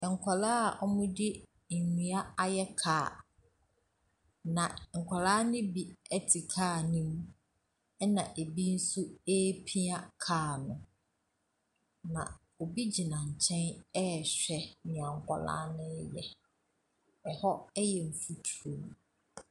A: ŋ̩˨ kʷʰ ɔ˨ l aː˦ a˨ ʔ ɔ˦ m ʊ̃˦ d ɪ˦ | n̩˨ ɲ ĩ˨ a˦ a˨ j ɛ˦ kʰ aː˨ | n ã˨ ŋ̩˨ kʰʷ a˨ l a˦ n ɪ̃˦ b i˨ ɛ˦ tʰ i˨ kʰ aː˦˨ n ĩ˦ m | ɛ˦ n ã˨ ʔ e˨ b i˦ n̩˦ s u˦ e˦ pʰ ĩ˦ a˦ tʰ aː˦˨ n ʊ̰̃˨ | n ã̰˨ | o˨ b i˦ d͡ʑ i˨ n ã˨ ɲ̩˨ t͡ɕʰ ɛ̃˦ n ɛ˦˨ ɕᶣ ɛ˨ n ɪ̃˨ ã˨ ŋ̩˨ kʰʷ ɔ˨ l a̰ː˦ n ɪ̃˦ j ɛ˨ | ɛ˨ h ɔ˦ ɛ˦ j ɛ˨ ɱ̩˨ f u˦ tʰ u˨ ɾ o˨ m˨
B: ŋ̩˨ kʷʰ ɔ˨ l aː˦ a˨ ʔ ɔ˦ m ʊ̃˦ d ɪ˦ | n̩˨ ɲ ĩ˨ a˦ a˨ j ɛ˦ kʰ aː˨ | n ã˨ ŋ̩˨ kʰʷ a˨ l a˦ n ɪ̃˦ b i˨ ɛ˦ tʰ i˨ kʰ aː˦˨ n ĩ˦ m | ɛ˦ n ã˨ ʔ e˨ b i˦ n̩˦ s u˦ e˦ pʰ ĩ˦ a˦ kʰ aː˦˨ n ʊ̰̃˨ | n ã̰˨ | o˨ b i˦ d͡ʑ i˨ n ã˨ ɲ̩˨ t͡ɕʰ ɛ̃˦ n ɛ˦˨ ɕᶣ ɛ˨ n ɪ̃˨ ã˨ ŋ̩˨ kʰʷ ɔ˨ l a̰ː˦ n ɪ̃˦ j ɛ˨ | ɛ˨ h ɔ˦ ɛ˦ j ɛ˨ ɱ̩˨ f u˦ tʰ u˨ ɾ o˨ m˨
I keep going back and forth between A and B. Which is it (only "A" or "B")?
B